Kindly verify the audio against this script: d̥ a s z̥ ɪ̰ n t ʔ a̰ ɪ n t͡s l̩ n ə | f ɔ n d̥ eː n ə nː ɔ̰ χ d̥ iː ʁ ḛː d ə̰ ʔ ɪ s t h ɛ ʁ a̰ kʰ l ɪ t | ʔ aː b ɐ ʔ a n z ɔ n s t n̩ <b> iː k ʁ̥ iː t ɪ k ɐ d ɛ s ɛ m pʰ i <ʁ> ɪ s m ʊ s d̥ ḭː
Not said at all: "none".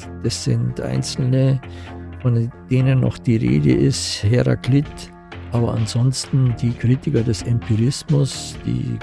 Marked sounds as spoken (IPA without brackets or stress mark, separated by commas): d, ʁ